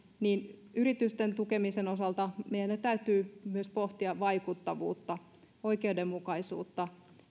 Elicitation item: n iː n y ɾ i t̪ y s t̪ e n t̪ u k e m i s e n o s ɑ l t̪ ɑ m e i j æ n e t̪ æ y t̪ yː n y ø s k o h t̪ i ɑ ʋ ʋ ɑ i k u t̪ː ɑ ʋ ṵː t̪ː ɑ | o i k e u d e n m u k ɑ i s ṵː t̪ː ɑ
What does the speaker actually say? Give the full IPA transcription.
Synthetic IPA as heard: n iː n y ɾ i t̪ y s t̪ e n t̪ u k e m i s e n o s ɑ l t̪ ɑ m e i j æ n e t̪ æ y t̪ yː m y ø s p o h t̪ i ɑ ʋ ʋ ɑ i k u t̪ː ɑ ʋ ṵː t̪ː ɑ | o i k e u d e m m u k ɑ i s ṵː t̪ː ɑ